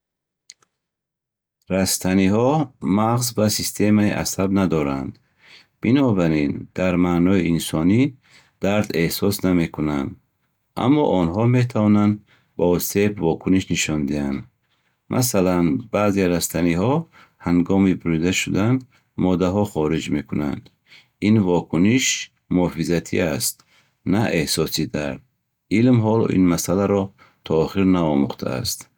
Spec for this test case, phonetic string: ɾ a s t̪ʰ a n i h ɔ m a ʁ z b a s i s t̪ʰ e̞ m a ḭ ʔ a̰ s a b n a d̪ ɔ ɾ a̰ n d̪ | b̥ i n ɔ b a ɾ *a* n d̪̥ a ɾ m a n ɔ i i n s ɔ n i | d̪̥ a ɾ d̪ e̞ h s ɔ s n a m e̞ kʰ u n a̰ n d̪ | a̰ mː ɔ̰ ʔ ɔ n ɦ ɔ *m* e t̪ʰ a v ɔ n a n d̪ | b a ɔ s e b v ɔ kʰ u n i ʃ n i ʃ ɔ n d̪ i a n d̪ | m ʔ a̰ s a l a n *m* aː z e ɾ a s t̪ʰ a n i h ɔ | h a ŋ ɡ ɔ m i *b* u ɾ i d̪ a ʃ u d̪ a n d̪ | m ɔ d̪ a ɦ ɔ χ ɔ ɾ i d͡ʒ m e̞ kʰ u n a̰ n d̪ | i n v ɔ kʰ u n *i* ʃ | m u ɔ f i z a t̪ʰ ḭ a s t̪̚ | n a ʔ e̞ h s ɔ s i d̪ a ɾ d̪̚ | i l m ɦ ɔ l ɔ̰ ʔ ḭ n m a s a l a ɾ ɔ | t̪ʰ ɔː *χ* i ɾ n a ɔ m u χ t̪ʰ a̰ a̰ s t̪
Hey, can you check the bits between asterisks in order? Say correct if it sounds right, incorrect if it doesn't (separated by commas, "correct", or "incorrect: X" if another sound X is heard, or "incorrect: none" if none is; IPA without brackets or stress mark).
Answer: incorrect: i, correct, incorrect: b, correct, correct, correct